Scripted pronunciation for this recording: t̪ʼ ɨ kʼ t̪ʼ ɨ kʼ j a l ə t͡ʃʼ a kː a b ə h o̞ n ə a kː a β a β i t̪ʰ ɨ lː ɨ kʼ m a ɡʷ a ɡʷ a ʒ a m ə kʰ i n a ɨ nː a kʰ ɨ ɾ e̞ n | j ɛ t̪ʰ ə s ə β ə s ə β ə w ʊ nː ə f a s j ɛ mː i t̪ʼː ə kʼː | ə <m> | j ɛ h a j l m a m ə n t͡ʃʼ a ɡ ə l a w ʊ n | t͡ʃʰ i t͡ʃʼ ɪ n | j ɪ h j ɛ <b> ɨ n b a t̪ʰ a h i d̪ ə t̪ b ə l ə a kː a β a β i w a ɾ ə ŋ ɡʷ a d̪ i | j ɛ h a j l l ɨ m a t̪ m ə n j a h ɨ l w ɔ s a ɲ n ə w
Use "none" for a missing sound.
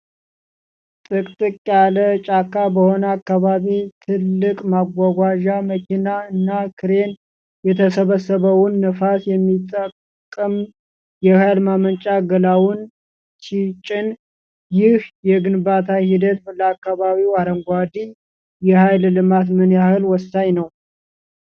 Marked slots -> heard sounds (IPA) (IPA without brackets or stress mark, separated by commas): m, ɡ